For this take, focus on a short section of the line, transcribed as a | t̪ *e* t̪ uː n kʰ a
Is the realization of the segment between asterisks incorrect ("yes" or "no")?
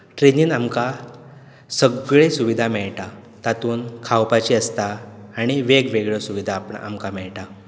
yes